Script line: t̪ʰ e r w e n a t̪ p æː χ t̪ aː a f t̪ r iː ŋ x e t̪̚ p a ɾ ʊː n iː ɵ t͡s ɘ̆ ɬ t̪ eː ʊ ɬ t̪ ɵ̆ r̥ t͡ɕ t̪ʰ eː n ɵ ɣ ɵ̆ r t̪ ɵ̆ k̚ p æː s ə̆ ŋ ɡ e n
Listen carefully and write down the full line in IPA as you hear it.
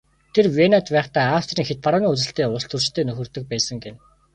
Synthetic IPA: t̪ʰ e r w e n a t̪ p æː χ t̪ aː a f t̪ r iː ŋ x e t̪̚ p a ɾ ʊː n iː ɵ t͡s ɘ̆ ɬ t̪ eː ʊ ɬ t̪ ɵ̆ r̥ t͡ɕ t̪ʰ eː n ɵ x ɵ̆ r t̪ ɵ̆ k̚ p æː s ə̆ ŋ ɡ e n

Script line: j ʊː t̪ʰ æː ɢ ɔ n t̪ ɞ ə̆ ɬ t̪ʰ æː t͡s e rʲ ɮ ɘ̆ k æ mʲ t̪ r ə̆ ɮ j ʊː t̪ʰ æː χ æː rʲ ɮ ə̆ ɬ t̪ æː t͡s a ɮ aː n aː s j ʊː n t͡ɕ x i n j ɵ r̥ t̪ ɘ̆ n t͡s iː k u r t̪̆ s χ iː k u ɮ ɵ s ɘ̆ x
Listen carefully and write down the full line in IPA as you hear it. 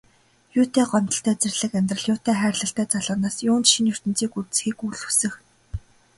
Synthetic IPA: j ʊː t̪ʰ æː ɢ ɔ n t̪ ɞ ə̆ ɬ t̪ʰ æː t͡s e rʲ ɮ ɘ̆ k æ mʲ t̪ r ə̆ ɮ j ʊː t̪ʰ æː χ æː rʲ ɮ ə̆ ɬ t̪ æː t͡s a ɮ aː n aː s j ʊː n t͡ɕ ʃ i n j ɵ r̥ t̪ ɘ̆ n t͡s iː k u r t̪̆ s x iː k u ɮ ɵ s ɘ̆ x

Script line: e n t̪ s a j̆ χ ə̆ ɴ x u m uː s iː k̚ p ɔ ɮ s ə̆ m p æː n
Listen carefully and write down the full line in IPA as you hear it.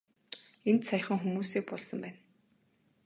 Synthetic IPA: e n t̪ s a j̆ χ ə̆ ŋ x u m uː s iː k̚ p ɔ ɮ s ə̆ m p æː n

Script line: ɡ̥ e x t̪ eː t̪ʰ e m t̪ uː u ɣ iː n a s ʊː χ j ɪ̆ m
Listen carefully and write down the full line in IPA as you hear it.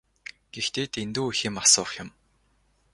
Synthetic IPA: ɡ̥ e x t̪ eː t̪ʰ e n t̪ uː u x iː m a s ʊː χ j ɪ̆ m

